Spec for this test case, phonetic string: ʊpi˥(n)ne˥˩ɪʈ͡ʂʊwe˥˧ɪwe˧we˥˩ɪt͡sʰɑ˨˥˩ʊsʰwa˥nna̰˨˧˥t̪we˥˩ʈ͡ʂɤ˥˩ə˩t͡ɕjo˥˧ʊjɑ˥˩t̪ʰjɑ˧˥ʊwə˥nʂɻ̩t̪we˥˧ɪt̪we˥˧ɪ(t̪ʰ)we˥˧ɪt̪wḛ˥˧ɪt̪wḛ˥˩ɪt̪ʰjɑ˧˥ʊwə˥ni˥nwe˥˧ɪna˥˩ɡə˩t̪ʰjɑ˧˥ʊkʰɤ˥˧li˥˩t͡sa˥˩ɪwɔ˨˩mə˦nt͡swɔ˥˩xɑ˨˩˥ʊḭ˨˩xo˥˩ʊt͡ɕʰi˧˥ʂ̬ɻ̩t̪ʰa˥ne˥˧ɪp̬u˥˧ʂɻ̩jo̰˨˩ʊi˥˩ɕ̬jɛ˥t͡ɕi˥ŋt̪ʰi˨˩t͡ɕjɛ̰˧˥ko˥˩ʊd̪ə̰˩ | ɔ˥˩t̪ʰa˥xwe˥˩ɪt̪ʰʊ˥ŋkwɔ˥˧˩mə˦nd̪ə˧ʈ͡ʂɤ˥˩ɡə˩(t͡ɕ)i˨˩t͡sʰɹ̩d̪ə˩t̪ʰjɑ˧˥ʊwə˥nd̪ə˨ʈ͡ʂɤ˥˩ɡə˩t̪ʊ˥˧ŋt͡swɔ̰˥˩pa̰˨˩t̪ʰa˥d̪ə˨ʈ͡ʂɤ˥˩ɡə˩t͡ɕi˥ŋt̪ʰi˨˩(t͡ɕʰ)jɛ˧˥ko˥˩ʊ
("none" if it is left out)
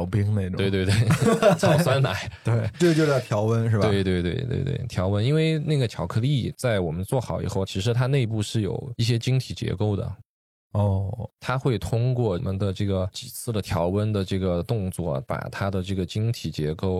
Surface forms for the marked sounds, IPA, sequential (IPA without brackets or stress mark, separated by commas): ŋ, t̪, t͡ɕ, t͡ɕ